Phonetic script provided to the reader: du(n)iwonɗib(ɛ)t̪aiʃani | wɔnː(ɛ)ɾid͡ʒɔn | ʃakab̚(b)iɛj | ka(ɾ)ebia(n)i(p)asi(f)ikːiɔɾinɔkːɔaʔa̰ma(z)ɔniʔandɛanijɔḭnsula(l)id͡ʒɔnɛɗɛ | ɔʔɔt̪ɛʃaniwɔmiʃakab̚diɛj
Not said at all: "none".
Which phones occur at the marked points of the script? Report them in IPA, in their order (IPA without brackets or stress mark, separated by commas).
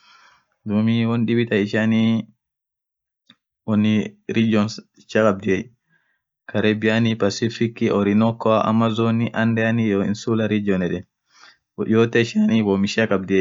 m, i, i, d, ɾ, n, p, f, z, ɾ